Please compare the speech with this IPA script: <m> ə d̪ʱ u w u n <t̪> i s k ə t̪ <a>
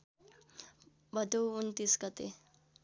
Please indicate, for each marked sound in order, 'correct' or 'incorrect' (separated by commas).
incorrect, correct, incorrect